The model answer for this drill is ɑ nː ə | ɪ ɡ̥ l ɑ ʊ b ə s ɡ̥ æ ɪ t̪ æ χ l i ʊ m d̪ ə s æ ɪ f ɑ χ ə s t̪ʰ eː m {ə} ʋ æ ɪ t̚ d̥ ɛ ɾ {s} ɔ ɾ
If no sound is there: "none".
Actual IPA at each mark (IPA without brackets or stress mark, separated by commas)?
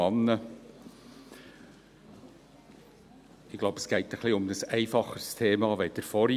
ɑ, f